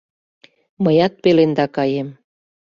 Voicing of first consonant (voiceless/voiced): voiced